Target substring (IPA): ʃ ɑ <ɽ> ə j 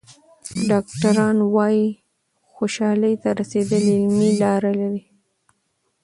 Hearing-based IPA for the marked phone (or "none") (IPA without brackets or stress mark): l